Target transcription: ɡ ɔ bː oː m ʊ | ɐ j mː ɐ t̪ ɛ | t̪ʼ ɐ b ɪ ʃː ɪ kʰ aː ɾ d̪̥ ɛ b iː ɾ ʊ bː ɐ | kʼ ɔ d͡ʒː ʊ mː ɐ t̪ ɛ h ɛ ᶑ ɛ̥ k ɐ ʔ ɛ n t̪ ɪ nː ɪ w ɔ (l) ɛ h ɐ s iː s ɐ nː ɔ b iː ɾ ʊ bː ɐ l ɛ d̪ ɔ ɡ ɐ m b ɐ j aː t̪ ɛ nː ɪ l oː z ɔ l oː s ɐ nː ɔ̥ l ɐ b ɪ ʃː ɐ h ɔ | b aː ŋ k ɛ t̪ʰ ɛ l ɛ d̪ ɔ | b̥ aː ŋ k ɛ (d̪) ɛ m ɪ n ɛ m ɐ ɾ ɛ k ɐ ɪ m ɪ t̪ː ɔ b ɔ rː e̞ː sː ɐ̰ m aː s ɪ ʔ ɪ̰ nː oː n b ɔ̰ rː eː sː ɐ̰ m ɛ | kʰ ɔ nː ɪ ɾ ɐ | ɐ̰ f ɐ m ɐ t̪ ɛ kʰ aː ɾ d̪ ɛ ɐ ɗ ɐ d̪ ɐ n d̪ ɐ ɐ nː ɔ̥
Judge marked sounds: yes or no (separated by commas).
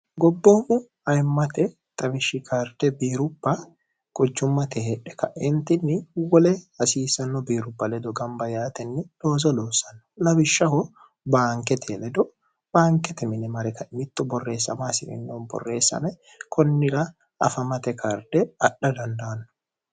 yes, no